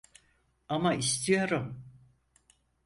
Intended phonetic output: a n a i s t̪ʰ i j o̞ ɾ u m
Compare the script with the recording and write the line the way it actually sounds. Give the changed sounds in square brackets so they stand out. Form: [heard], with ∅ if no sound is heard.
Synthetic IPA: a [m] a i s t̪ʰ i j o̞ ɾ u m

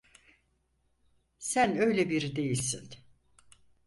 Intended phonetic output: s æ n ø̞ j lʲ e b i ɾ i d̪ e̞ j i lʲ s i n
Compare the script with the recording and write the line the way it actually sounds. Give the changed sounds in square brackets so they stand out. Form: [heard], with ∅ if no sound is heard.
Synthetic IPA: s æ n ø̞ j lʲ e b i ɾ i d̪ e̞ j i lʲ s i n

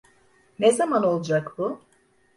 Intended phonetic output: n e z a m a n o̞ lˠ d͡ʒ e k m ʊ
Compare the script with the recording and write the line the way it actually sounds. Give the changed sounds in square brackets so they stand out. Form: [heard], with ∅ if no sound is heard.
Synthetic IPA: n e z a m a n o̞ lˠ d͡ʒ [a] k [b] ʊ

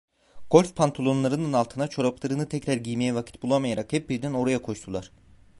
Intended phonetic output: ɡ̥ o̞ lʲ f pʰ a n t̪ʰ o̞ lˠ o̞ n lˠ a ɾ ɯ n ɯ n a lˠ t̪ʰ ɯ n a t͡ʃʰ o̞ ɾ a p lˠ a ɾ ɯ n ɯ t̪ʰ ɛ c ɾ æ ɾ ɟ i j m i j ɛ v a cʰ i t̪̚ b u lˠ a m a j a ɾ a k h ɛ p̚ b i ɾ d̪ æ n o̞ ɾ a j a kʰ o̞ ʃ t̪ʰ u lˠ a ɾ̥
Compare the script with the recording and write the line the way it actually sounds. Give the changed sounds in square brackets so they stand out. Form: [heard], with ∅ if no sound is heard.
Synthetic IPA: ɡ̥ o̞ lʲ f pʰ a n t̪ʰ o̞ lˠ o̞ n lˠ a ɾ ɯ n ɯ n a lˠ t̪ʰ ɯ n a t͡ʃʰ o̞ ɾ a p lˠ a ɾ ɯ n ɯ t̪ʰ ɛ c ɾ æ ɾ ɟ i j m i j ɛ v a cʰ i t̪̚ b u lˠ a m a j a ɾ a k h ɛ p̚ b i ɾ d̪ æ n o̞ ɾ a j a kʰ o̞ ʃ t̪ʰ u lˠ a ɾ̥

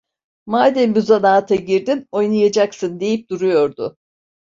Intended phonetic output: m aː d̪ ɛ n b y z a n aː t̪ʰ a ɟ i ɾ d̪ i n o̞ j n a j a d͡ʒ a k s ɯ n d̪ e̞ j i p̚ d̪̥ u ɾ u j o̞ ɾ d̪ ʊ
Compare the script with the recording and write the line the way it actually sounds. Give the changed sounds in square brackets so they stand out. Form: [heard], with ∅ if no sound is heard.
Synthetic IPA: m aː d̪ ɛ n b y z a n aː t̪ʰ a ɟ i ɾ d̪ i n o̞ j n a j a d͡ʒ a k s ɯ n d̪ e̞ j i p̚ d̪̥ u ɾ u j o̞ ɾ d̪ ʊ

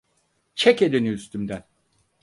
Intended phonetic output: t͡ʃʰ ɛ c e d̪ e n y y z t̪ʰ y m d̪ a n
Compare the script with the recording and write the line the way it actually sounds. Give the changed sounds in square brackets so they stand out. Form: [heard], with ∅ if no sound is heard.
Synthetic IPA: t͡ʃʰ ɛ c e d̪ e n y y [s] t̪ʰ y m d̪ [æ] n

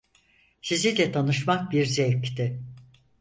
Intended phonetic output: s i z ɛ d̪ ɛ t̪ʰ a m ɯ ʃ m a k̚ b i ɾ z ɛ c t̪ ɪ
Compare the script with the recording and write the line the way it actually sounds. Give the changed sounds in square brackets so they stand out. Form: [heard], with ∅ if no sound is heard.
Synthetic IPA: s i z [i] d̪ ɛ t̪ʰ a [n] ɯ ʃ m a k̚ b i ɾ z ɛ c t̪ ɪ

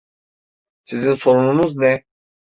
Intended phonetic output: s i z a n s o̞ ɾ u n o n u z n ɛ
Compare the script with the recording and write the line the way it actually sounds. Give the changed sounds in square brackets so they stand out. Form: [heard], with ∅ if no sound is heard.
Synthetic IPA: s i z [i] n s o̞ ɾ u n [u] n u z n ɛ

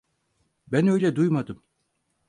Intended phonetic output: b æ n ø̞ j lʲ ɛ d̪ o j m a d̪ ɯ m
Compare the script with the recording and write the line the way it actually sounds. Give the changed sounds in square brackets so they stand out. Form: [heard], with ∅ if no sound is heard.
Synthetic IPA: b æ n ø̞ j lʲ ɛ d̪ [u] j m a d̪ ɯ m

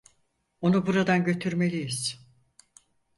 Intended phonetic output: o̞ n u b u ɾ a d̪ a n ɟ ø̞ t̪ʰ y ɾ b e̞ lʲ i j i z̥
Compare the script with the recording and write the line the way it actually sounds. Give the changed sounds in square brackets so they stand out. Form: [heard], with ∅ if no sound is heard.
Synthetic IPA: o̞ n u b u ɾ a d̪ a n ɟ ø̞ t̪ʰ y ɾ [m] e̞ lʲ i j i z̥

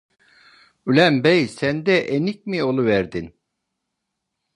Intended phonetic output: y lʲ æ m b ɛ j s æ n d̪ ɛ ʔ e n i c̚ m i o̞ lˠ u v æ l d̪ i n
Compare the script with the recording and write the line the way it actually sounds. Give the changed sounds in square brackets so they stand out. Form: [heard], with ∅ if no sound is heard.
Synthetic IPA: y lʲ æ m b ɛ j s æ n d̪ ɛ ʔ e n i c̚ m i o̞ lˠ u v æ [ɾ] d̪ i n

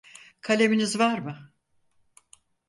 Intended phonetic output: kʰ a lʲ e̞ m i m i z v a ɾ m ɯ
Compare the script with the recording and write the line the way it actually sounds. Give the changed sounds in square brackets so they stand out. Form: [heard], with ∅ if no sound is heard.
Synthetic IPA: kʰ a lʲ e̞ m i [n] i z v a ɾ m ɯ

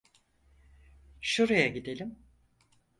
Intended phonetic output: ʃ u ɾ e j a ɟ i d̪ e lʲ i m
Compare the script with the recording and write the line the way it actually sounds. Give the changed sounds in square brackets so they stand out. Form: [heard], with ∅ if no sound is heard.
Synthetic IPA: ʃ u ɾ [a] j a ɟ i d̪ e lʲ i m

